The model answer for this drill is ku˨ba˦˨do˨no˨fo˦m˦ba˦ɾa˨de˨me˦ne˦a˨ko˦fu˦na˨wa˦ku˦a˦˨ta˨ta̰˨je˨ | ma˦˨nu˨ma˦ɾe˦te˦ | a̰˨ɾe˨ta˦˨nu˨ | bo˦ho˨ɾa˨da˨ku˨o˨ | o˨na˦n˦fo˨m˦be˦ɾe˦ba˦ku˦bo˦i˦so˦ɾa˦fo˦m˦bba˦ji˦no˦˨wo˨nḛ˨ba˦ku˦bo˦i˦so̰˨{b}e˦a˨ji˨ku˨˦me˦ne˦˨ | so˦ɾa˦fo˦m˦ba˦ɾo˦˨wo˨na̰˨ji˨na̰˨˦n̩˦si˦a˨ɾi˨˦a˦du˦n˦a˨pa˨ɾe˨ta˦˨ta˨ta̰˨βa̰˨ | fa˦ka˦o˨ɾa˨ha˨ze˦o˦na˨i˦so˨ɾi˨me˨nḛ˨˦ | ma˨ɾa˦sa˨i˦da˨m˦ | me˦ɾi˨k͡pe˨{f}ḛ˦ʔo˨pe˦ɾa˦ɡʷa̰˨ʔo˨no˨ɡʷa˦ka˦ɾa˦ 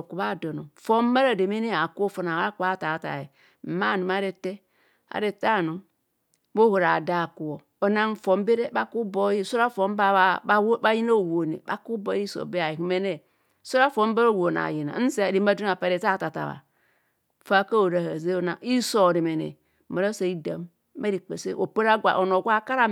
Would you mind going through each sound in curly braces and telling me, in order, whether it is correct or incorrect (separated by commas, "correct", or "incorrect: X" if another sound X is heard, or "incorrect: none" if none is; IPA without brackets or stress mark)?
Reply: correct, incorrect: s